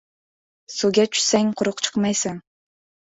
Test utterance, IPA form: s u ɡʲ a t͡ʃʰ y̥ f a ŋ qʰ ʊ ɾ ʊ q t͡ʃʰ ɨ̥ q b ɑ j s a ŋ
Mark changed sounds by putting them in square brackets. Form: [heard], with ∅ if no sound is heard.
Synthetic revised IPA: s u ɡʲ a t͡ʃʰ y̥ [s] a ŋ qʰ ʊ ɾ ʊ q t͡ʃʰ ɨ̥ q [m] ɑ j s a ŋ

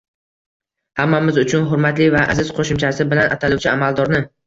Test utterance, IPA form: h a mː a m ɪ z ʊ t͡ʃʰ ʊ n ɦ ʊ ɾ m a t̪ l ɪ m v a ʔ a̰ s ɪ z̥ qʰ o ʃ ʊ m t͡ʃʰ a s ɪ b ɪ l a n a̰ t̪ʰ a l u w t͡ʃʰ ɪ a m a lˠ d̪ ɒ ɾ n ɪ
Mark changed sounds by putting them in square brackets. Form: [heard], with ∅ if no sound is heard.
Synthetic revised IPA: h a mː a m ɪ z ʊ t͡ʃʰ ʊ n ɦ ʊ ɾ m a t̪ l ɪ [∅] v a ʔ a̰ [z] ɪ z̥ qʰ o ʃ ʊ m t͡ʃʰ a s ɪ b ɪ l a n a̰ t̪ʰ a l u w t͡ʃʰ ɪ a m a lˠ d̪ ɒ ɾ n ɪ

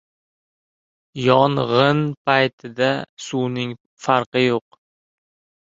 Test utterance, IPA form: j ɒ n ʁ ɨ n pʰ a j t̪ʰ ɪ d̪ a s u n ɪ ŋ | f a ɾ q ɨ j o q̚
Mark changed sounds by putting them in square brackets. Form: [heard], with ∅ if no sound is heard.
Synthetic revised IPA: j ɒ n ʁ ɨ n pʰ a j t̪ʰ ɪ d̪ a s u n ɪ ŋ | f a ɾ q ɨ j o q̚

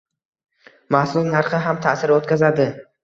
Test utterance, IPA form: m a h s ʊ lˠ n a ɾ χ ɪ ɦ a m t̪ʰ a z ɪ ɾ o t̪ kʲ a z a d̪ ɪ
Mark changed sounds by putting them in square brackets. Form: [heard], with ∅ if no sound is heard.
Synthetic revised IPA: m a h s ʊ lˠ n a ɾ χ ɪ ɦ a m t̪ʰ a [s] ɪ ɾ o t̪ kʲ a z a d̪ ɪ

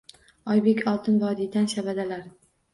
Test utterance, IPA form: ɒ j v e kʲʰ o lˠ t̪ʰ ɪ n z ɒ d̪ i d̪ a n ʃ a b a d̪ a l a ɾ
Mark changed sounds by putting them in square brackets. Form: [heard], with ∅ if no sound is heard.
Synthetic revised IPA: ɒ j [b] e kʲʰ [ɒ] lˠ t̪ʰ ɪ n [v] ɒ d̪ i d̪ a n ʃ a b a d̪ a l a ɾ

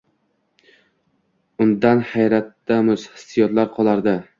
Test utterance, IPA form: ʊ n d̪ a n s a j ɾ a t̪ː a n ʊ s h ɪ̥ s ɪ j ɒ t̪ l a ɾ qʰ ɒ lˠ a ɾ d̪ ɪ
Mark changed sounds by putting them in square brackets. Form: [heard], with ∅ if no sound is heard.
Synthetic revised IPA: ʊ n d̪ a n [h] a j ɾ a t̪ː a [m] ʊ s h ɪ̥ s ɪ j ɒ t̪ l a ɾ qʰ ɒ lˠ a ɾ d̪ ɪ

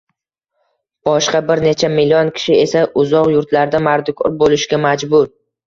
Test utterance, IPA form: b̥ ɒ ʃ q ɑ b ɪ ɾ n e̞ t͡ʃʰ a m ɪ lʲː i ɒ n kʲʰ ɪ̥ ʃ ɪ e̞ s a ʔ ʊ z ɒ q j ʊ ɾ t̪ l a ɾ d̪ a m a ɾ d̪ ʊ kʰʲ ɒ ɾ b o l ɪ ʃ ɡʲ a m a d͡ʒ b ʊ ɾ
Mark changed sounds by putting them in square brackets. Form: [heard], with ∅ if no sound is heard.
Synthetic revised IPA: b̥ ɒ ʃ q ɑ b ɪ ɾ n e̞ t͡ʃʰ a m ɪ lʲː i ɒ n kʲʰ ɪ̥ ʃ ɪ e̞ s a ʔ ʊ z ɒ q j ʊ ɾ t̪ l a ɾ d̪ a m a ɾ d̪ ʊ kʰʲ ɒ ɾ b o l ɪ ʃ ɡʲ a m a d͡ʒ b ʊ ɾ

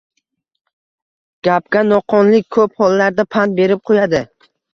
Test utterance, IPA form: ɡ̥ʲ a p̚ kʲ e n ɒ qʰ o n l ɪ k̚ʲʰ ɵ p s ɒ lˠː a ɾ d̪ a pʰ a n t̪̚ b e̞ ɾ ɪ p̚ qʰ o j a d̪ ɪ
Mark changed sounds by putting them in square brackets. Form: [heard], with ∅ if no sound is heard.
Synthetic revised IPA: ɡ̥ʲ a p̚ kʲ [a] n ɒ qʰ [ɒ] n l ɪ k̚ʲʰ ɵ p [h] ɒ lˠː a ɾ d̪ a pʰ a n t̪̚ b e̞ ɾ ɪ p̚ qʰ o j a d̪ ɪ

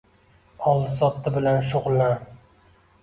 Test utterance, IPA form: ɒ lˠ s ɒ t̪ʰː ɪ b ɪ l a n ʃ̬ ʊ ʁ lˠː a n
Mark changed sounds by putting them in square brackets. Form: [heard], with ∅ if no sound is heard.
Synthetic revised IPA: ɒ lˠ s ɒ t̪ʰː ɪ b ɪ l a n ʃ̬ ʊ ʁ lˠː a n

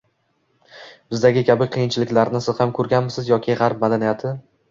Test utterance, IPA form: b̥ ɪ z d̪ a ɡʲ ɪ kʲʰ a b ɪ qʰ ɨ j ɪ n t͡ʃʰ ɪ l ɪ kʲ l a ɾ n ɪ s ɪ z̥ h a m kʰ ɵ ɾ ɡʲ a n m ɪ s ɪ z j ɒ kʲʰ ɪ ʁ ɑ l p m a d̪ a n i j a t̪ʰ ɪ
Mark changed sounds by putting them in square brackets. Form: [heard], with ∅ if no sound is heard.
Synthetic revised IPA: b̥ ɪ z d̪ a ɡʲ ɪ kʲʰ a b ɪ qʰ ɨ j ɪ n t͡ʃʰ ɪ l ɪ kʲ l a ɾ n ɪ s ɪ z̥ h a m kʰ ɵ ɾ ɡʲ a n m ɪ s ɪ z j ɒ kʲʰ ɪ ʁ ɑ [ɾ] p m a d̪ a n i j a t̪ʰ ɪ

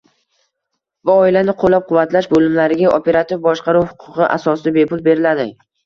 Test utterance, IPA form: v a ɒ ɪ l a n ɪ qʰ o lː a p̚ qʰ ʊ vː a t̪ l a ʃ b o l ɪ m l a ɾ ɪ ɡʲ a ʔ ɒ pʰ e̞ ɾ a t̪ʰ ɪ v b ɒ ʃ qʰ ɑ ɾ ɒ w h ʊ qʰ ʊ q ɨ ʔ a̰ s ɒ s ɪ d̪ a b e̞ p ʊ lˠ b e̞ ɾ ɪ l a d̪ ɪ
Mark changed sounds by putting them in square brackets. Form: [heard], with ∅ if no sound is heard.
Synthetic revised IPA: v a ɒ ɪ l a n ɪ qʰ o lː a p̚ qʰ ʊ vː a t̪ l a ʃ b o l ɪ m l a ɾ ɪ ɡʲ a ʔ [o] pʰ e̞ ɾ a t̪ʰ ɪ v b ɒ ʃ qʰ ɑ ɾ [u] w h ʊ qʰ ʊ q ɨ ʔ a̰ s ɒ s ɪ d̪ a b e̞ p ʊ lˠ b e̞ ɾ ɪ l a d̪ ɪ

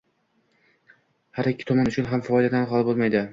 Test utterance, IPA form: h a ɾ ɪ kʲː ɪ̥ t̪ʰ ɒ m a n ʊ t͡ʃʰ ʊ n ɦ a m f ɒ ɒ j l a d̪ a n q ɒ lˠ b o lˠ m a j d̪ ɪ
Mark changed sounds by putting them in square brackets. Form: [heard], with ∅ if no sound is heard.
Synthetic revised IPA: h a ɾ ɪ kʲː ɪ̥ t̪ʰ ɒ m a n ʊ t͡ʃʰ ʊ n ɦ a m f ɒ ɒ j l a d̪ a n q ɒ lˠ b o lˠ m a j d̪ ɪ

